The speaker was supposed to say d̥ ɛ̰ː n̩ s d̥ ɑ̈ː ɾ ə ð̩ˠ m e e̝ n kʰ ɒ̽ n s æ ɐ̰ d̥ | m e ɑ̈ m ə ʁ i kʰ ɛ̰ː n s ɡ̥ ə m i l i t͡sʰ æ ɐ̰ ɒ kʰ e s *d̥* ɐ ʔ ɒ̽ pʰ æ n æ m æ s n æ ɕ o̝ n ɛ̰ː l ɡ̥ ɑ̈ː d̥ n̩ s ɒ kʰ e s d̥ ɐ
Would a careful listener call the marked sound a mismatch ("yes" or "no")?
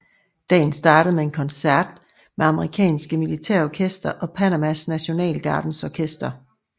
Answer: no